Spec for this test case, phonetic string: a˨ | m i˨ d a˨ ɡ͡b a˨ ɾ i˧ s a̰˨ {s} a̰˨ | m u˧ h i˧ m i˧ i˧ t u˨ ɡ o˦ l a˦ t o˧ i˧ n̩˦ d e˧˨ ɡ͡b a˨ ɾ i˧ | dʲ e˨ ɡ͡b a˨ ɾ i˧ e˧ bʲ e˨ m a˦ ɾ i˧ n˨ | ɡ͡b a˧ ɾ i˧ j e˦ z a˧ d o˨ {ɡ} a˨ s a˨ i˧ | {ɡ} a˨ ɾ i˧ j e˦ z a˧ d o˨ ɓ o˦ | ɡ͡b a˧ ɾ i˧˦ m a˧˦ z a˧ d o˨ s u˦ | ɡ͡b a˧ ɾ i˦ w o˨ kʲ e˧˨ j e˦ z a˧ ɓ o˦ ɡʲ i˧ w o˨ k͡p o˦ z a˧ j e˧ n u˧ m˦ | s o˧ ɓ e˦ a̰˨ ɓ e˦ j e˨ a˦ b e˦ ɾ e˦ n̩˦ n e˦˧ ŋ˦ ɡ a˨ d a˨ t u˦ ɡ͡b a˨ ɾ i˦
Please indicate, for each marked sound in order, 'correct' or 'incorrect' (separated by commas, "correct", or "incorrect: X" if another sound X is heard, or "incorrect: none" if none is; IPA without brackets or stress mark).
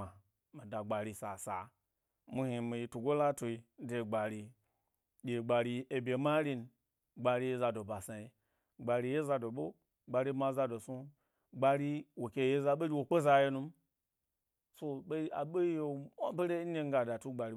correct, incorrect: b, incorrect: ɡ͡b